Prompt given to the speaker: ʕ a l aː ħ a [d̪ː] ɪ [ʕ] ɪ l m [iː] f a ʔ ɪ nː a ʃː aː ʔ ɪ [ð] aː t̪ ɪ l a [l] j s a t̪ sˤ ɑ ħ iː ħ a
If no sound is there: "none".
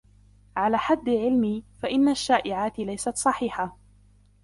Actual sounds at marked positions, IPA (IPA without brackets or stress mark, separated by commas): d̪ː, ʕ, iː, ʕ, none